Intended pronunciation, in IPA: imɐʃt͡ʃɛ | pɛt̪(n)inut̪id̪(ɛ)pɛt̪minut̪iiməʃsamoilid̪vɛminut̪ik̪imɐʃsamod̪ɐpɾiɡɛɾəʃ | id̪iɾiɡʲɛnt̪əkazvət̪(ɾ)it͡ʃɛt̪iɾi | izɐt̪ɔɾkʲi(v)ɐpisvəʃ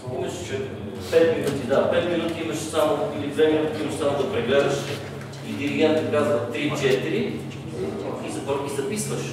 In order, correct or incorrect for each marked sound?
incorrect, incorrect, correct, incorrect

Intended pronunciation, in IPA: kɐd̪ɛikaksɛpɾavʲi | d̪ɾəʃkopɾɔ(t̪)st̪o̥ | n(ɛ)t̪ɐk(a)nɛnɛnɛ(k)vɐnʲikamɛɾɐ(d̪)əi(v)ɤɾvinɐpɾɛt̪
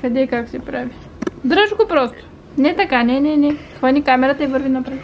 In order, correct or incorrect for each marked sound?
incorrect, correct, correct, incorrect, incorrect, correct

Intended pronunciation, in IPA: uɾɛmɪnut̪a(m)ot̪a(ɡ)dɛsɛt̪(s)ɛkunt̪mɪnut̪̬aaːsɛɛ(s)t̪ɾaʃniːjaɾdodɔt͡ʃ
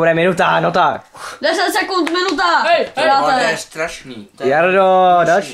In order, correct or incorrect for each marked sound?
incorrect, incorrect, correct, correct

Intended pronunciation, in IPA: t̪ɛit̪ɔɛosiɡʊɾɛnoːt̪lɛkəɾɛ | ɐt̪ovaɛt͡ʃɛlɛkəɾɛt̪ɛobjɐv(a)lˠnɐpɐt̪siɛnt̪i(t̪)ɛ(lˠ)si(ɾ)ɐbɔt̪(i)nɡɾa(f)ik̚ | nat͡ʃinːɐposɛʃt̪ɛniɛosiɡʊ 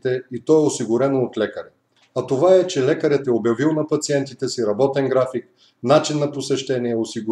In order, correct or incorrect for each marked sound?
incorrect, correct, incorrect, correct, incorrect, correct

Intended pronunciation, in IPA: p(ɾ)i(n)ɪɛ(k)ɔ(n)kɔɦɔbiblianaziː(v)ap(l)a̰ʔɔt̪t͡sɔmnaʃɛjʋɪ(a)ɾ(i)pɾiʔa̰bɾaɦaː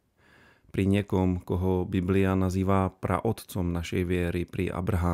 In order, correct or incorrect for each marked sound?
correct, incorrect, correct, incorrect, incorrect, incorrect, incorrect, correct

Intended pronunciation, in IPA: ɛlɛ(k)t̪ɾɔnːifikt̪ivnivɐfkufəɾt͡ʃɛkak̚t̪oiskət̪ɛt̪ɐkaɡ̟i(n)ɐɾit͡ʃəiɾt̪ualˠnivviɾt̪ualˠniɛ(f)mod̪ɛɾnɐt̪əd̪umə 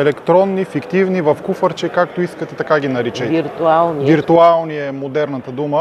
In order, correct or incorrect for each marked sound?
correct, correct, incorrect

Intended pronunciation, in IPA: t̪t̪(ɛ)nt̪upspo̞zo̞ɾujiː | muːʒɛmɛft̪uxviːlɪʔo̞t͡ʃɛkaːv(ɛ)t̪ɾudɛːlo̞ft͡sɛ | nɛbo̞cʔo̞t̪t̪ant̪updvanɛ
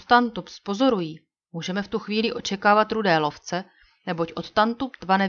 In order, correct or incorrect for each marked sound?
incorrect, incorrect

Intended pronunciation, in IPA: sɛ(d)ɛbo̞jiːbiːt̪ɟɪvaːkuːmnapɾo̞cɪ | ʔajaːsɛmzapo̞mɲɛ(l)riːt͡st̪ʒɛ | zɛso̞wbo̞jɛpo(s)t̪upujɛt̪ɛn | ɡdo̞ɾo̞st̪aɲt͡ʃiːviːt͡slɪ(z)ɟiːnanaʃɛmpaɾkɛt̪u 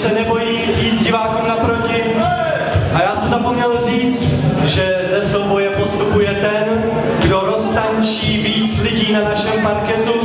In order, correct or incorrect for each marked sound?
incorrect, correct, correct, incorrect

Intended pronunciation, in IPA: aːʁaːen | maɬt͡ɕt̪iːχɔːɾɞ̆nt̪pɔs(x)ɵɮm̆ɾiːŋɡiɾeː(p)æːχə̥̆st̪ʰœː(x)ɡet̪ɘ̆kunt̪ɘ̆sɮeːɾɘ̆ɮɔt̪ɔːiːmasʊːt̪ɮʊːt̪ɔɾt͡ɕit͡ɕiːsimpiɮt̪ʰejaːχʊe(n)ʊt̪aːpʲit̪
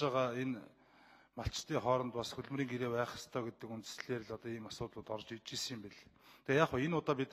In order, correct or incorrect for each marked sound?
correct, correct, incorrect, correct

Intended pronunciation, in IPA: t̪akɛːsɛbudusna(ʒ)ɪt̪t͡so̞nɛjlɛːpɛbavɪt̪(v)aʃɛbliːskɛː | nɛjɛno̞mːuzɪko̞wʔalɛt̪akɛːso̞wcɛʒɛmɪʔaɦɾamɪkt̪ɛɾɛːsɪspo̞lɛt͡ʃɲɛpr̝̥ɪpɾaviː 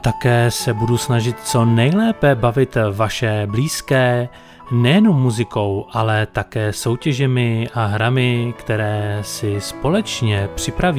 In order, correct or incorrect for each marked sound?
correct, correct

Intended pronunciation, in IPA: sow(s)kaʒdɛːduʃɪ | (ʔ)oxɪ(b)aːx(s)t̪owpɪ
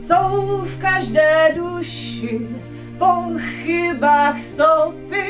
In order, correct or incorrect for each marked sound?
incorrect, incorrect, correct, correct

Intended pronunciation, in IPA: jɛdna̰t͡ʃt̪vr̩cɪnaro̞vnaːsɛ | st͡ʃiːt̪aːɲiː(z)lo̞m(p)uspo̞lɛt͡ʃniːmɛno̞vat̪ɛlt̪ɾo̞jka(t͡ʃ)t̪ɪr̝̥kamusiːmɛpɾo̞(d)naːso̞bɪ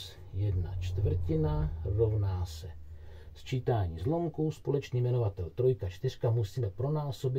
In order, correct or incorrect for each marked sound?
correct, incorrect, correct, incorrect

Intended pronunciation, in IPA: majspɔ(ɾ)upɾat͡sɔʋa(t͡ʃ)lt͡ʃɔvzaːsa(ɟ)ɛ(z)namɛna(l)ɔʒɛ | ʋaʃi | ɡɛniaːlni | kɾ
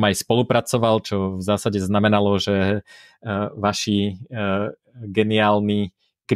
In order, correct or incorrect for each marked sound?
incorrect, incorrect, correct, correct, correct

